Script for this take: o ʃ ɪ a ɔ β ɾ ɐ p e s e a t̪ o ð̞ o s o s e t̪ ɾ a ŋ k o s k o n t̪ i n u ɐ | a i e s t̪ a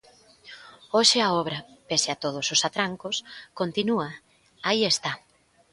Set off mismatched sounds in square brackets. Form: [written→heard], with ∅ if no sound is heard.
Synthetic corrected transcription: o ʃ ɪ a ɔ β ɾ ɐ p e s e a t̪ o ð̞ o s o s [e→a] t̪ ɾ a ŋ k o s k o n t̪ i n u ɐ | a i e s t̪ a